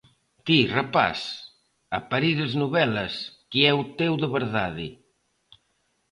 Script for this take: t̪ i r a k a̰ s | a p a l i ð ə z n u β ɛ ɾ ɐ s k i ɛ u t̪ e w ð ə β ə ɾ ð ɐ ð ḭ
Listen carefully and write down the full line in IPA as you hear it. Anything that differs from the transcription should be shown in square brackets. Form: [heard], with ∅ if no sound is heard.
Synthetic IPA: t̪ i r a [p] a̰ s | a p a [ɾ] i ð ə z n u β ɛ [l] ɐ s k i ɛ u t̪ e w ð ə β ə ɾ ð [a] ð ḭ